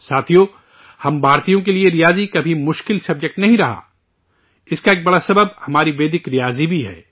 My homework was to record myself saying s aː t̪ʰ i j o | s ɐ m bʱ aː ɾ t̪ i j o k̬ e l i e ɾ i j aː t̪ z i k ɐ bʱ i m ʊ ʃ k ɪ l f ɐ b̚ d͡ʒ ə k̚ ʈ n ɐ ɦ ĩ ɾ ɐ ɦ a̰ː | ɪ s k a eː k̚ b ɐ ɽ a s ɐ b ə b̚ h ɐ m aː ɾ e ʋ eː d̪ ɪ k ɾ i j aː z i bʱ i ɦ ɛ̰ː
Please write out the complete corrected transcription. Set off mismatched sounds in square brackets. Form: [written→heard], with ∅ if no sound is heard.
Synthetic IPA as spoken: s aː t̪ʰ i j o | [s→h] ɐ m bʱ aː ɾ t̪ i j [o→õ] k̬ e l i e ɾ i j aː [t̪→∅] z i k ɐ bʱ i m ʊ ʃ k ɪ l [f→s] ɐ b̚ d͡ʒ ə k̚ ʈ n ɐ ɦ ĩ ɾ ɐ ɦ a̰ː | ɪ s k a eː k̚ b ɐ ɽ a s ɐ b ə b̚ h ɐ m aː ɾ [e→i] ʋ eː d̪ ɪ k ɾ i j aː z i bʱ i ɦ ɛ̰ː